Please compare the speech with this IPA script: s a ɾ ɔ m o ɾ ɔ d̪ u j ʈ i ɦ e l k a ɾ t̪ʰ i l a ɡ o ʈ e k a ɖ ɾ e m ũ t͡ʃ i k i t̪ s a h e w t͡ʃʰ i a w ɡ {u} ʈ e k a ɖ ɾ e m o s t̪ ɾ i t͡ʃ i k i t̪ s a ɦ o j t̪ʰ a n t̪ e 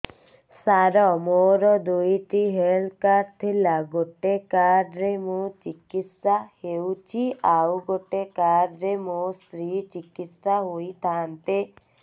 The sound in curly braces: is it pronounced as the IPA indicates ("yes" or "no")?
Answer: no